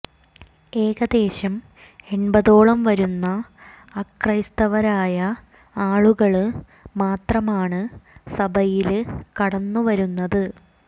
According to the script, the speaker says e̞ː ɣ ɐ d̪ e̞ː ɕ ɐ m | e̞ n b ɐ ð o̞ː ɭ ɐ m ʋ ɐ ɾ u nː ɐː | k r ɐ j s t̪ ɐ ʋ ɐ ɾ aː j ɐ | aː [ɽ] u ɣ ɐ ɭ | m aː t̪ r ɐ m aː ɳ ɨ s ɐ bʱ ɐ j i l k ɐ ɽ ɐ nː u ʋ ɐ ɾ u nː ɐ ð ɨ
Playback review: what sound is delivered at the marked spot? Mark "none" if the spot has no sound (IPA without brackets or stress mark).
ɭ